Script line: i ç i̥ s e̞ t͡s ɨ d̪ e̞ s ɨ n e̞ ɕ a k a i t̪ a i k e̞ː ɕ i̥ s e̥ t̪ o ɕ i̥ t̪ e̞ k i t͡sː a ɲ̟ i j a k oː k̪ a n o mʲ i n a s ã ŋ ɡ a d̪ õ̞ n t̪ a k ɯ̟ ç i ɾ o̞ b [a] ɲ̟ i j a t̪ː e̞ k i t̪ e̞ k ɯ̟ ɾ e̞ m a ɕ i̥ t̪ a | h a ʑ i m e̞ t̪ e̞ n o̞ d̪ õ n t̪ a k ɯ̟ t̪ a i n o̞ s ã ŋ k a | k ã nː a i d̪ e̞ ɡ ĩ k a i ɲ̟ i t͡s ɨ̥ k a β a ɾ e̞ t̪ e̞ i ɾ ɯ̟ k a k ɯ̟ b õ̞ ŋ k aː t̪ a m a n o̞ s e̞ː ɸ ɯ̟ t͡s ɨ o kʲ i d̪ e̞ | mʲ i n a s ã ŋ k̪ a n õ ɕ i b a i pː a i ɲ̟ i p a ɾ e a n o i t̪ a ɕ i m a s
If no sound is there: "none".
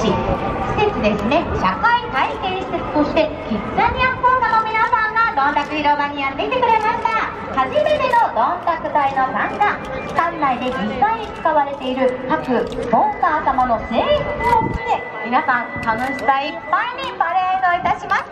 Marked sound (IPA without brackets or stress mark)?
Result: a